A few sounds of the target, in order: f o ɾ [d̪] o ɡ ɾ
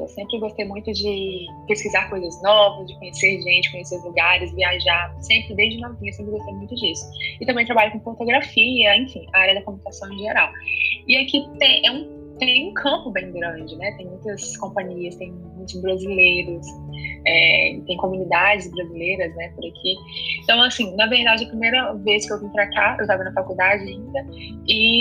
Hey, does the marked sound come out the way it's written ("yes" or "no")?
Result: no